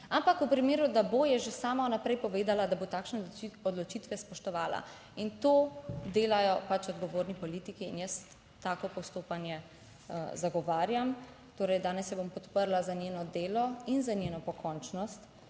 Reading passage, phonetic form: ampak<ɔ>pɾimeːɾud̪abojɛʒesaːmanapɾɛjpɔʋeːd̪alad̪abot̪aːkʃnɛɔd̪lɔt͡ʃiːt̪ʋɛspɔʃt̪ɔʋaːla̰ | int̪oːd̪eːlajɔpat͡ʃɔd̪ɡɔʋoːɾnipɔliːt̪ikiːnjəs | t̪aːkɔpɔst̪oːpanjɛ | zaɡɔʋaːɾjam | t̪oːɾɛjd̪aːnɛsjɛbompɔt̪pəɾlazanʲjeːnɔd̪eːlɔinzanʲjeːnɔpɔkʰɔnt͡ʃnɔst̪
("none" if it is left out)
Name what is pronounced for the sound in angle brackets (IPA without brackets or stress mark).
u